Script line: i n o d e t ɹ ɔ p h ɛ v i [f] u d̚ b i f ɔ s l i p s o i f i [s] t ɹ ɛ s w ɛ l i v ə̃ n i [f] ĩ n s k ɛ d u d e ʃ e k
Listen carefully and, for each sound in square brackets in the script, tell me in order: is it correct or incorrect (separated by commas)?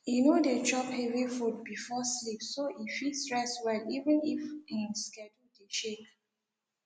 correct, correct, correct